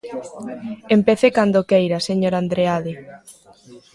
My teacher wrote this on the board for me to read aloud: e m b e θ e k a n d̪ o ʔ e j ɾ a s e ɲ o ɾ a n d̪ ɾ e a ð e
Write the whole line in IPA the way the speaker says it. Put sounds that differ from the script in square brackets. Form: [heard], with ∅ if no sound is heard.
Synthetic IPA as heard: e m [p] e θ e k a n d̪ o [k] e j ɾ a s e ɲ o ɾ a n d̪ ɾ e a ð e